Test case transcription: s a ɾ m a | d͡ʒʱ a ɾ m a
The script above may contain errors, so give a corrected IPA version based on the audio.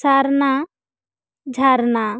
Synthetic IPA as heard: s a ɾ n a | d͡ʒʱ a ɾ n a